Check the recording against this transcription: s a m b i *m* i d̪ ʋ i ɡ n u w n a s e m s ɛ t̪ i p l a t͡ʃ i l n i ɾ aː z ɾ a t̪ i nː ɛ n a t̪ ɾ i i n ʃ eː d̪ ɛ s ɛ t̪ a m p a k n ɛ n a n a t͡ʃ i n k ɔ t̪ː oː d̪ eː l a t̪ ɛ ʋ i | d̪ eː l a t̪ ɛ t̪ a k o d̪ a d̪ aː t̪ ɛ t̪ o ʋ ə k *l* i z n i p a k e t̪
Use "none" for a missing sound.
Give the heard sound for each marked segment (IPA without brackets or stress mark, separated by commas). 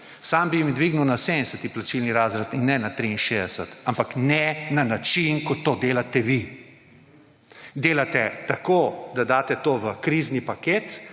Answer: m, ɾ